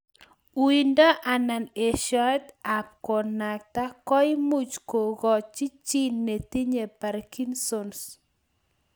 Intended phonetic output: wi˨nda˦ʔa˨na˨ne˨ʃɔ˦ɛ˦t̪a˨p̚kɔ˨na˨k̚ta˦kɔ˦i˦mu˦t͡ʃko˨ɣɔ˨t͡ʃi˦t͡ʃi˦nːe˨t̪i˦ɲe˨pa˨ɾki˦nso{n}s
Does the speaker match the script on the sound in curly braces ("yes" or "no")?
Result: yes